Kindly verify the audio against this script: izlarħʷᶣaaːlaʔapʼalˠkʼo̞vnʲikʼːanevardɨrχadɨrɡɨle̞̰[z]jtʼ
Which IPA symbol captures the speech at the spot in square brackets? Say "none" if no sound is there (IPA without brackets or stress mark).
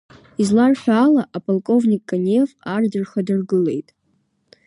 none